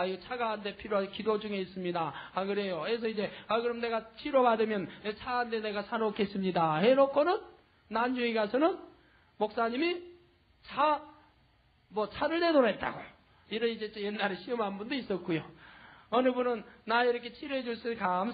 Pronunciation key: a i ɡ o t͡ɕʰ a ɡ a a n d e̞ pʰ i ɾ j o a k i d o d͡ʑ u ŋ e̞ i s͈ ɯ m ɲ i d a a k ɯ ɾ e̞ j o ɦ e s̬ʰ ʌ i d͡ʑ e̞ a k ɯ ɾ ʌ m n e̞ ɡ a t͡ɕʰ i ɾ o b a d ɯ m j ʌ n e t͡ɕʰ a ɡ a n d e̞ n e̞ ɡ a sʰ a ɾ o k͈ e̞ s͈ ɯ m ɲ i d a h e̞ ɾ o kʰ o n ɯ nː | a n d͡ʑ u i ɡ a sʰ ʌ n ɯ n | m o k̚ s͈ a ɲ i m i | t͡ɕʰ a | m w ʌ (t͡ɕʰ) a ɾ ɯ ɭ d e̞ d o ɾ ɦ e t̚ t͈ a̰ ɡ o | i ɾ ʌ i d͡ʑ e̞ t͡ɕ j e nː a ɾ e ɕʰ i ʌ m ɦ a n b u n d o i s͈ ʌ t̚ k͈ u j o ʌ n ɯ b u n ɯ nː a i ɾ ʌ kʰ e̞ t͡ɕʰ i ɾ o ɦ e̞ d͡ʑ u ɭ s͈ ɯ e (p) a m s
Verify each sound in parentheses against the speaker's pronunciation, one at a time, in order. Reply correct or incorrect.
correct, incorrect

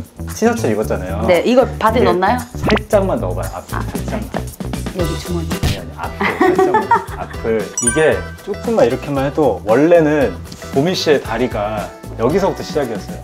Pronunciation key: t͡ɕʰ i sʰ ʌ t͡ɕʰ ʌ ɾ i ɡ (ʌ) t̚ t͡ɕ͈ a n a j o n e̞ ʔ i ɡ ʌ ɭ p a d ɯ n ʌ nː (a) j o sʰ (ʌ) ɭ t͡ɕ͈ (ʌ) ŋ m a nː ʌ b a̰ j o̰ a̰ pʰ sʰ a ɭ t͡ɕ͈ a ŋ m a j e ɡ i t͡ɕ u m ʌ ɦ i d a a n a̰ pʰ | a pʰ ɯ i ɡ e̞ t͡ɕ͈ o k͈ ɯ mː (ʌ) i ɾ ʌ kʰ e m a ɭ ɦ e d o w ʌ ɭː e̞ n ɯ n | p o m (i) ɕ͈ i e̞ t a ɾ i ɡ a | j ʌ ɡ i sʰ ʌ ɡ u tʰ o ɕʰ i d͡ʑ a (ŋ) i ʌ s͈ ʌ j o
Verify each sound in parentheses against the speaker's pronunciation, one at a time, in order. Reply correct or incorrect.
correct, correct, incorrect, incorrect, incorrect, correct, incorrect

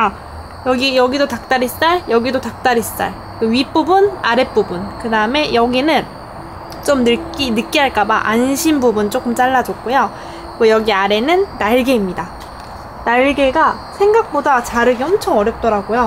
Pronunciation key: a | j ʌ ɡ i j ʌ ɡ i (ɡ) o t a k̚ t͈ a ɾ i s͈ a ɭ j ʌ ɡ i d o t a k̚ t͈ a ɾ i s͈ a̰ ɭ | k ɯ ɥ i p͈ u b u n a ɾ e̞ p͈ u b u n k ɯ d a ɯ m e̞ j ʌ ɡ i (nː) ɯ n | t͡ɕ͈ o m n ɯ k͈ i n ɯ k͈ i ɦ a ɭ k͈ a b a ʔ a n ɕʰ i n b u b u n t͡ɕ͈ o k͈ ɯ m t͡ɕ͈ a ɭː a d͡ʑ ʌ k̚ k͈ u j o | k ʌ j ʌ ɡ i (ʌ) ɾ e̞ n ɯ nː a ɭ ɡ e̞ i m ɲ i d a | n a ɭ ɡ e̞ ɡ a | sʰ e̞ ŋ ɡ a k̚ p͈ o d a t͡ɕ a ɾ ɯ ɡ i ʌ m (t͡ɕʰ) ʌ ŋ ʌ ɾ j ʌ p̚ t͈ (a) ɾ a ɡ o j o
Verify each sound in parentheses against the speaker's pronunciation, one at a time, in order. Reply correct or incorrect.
incorrect, incorrect, incorrect, correct, incorrect

